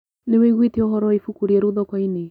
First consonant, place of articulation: alveolar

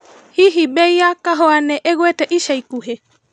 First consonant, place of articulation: glottal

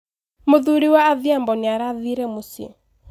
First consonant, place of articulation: labial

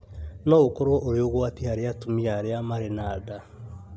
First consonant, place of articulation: alveolar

